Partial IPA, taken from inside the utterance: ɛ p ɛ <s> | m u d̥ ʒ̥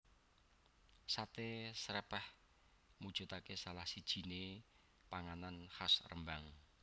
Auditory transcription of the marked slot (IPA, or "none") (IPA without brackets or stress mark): h